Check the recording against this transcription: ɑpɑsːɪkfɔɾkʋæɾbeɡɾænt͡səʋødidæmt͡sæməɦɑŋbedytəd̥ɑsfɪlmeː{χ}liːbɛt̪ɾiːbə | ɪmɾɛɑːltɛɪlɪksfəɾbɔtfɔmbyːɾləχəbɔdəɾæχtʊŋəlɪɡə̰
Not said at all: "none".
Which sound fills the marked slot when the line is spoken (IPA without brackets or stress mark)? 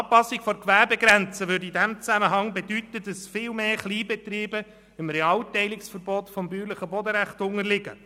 χ